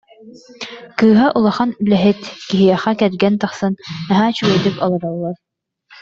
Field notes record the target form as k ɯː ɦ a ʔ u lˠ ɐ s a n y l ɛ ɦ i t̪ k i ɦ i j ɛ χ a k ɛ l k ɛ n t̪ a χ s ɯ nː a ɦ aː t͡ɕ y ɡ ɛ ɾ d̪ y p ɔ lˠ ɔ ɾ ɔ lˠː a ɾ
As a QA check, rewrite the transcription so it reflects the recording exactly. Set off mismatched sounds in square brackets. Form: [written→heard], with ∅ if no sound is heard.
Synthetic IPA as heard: k ɯː ɦ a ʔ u lˠ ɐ [s→χ] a n y l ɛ ɦ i t̪ k i ɦ i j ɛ χ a k ɛ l [k→ɡ] ɛ n t̪ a χ s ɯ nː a ɦ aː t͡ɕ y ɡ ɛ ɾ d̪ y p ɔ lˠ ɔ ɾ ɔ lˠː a ɾ